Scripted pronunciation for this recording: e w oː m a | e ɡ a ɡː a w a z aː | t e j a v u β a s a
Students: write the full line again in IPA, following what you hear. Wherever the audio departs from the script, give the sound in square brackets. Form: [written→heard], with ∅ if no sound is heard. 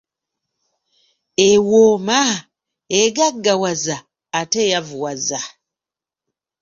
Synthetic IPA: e w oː m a | e ɡ a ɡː a w a z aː | t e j a v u [β→w] a [s→z] a